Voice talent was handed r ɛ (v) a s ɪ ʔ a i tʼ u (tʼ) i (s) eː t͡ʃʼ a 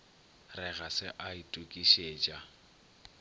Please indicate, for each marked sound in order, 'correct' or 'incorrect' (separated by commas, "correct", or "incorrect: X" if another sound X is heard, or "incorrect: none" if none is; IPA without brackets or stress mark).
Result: incorrect: ɣ, incorrect: kʼ, incorrect: ʃ